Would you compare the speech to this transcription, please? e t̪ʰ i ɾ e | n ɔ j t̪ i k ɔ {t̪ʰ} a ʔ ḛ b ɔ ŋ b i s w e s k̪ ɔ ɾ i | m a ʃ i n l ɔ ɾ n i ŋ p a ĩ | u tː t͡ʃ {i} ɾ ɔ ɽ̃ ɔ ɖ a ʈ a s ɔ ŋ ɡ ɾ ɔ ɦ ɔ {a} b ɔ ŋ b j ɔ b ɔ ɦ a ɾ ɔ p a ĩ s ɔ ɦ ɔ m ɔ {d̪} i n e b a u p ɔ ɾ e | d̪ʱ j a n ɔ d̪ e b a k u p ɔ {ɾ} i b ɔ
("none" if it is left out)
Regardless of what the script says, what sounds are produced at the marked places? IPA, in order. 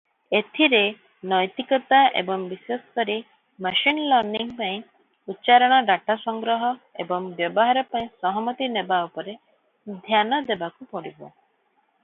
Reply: t̪, a, e, t̪, ɽ

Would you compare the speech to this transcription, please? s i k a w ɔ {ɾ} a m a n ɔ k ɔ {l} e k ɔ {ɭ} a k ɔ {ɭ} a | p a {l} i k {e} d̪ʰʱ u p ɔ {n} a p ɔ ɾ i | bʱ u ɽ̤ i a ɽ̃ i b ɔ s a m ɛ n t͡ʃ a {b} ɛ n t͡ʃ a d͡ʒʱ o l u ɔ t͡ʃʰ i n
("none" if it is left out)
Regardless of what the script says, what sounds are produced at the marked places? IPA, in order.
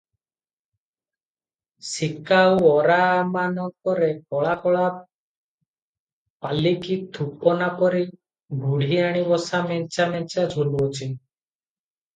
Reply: ɾ, ɾ, ɭ, ɭ, l, i, n, m

